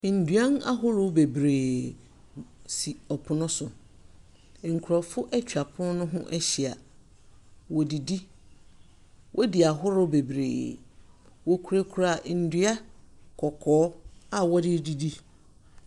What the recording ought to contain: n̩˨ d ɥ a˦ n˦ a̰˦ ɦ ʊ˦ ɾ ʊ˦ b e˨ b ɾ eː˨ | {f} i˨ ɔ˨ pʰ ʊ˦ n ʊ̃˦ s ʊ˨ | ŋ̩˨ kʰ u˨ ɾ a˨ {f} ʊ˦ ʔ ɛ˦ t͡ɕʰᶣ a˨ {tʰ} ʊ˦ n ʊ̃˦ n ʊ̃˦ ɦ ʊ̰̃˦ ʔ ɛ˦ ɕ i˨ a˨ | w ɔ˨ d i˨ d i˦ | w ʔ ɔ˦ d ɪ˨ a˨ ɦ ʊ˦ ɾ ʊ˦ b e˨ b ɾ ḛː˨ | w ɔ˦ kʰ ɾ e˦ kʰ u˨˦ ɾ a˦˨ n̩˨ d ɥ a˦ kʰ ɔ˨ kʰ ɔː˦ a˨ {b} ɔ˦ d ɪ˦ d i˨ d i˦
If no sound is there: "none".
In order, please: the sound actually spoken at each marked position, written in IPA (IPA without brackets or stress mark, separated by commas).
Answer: s, f, pʰ, w